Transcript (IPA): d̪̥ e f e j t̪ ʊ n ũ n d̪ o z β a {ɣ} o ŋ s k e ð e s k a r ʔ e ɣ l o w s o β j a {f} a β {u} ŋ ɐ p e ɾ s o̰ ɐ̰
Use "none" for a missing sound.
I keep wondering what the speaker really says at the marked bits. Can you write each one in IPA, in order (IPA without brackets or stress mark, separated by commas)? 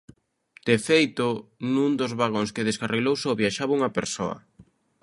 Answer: ɣ, ʃ, u